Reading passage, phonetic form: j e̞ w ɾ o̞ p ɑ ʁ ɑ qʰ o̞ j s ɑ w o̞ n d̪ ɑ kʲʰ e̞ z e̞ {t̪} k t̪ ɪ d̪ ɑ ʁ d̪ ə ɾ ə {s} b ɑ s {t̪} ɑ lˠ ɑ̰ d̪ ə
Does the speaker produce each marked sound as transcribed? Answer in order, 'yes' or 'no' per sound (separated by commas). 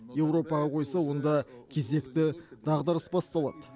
no, yes, yes